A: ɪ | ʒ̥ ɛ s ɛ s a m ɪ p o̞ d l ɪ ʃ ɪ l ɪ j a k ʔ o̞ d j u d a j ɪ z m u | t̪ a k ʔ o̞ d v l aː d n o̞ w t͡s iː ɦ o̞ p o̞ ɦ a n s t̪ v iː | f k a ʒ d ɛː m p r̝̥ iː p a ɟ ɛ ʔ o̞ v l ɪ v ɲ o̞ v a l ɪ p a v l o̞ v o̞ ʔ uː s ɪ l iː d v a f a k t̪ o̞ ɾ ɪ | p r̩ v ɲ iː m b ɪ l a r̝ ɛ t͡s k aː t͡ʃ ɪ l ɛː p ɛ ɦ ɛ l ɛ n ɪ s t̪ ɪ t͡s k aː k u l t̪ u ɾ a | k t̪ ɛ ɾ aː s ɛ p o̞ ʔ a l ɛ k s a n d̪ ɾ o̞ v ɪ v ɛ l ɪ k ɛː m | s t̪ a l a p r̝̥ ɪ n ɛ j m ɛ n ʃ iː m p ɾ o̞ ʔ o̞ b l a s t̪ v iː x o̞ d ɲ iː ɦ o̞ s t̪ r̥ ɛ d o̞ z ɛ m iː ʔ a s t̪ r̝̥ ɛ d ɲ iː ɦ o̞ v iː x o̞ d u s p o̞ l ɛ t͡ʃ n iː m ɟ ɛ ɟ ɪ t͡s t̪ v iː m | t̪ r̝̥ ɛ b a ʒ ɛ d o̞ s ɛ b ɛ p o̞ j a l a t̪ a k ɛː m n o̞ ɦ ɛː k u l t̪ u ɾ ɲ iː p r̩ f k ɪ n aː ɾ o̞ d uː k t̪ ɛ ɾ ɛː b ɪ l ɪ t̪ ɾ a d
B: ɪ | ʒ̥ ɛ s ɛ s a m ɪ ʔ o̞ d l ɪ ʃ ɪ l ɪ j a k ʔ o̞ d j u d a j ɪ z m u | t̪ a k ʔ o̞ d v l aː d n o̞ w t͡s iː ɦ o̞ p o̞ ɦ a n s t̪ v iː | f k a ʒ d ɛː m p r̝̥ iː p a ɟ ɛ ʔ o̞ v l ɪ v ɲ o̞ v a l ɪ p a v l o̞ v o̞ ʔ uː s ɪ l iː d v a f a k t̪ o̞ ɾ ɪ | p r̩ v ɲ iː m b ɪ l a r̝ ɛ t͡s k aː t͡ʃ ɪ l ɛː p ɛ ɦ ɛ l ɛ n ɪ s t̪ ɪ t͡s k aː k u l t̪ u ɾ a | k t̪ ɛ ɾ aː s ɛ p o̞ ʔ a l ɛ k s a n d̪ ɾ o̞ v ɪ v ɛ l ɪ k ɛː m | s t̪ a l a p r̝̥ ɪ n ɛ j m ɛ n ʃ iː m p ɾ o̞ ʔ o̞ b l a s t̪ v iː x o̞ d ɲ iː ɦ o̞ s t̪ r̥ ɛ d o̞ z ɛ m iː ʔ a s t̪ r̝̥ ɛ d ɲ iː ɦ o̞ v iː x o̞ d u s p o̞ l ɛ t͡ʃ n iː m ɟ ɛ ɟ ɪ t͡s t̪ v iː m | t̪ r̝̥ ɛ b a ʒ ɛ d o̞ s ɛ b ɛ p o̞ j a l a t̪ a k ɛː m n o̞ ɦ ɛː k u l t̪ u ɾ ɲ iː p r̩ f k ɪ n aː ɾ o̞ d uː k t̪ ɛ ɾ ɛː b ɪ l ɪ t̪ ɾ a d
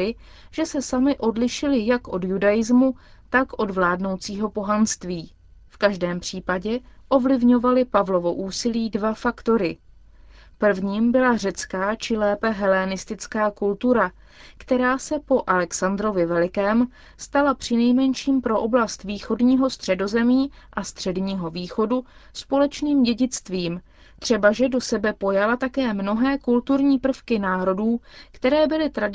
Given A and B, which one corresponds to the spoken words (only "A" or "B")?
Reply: B